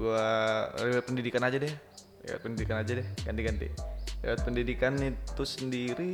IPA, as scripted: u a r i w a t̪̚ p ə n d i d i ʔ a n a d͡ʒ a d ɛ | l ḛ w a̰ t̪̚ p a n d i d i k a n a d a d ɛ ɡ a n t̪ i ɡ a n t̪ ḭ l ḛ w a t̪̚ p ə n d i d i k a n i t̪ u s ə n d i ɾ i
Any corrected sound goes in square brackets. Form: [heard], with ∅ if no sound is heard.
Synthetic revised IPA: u a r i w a t̪̚ p ə n d i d i [k] a n a d͡ʒ a d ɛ | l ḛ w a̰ t̪̚ p [ə] n d i d i k a n a [d͡ʒ] a d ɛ ɡ a n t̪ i ɡ a n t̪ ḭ l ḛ w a t̪̚ p ə n d i d i k a n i t̪ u s ə n d i ɾ i